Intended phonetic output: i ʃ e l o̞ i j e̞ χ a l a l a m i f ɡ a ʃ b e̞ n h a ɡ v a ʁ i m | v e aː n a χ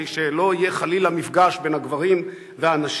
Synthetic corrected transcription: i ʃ e l o̞ i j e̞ χ a l i l a m i f ɡ a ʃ b e̞ n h a ɡ v a ʁ i m | v e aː n a ʃ